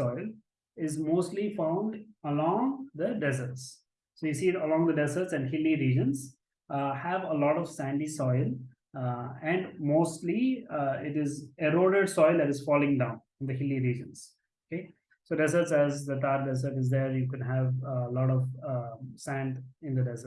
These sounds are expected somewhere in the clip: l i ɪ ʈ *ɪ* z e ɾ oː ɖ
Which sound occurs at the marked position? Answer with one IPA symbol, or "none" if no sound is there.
ɪ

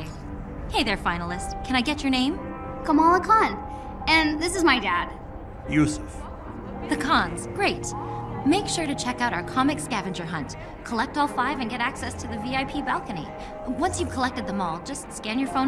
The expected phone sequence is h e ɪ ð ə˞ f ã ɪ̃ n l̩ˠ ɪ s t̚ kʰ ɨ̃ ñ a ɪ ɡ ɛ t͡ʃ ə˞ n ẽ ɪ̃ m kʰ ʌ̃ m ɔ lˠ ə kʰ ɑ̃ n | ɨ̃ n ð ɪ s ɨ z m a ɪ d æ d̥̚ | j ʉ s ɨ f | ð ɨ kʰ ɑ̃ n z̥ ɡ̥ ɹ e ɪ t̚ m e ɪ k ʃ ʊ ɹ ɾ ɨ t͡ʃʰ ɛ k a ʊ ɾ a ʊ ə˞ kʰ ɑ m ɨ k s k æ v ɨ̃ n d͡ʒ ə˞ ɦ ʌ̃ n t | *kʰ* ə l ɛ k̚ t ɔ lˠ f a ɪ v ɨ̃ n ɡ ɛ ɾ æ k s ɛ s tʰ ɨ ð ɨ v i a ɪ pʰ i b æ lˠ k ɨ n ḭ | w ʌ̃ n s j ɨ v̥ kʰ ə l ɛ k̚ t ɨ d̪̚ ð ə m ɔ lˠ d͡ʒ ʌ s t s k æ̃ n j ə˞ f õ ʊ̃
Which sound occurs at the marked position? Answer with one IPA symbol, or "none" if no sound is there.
kʰ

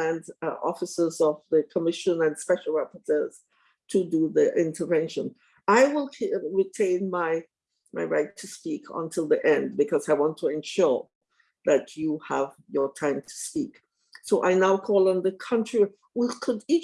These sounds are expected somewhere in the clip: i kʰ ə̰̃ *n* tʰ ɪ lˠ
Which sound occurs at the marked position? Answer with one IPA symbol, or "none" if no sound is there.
n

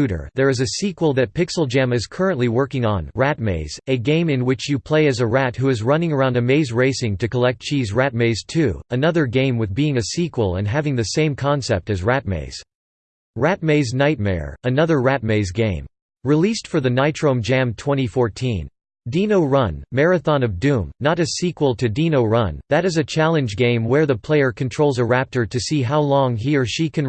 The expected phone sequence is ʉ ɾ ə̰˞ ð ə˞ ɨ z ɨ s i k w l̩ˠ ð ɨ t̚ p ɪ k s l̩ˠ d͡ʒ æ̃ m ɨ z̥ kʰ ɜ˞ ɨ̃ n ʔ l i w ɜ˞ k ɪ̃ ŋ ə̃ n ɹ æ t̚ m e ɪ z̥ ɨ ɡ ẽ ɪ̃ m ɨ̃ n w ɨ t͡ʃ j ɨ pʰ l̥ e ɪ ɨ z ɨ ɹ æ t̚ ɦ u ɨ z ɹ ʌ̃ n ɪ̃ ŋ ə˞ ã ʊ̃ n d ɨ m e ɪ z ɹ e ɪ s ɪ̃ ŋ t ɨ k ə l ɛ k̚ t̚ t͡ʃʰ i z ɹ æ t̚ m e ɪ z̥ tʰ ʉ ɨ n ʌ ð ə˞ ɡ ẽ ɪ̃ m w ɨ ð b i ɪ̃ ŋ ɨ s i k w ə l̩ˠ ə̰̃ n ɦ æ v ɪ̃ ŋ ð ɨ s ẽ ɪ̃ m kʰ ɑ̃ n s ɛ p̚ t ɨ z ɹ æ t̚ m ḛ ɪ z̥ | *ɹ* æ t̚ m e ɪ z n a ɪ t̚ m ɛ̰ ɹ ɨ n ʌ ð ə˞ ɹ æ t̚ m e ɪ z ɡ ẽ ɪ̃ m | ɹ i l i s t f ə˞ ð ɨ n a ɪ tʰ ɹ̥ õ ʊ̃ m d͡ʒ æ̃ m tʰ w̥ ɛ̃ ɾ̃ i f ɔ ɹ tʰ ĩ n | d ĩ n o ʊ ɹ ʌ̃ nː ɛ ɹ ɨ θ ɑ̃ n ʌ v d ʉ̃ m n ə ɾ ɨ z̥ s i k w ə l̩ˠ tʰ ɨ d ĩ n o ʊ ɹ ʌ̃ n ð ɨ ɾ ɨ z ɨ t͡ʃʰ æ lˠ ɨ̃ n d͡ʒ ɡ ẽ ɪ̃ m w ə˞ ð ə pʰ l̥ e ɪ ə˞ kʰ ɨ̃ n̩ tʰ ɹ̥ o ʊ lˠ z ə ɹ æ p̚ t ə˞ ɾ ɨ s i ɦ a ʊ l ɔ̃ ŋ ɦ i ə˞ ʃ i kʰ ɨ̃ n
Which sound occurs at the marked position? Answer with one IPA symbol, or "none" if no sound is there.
ɹ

